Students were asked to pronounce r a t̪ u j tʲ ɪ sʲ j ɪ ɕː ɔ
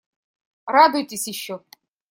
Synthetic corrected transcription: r a d̪ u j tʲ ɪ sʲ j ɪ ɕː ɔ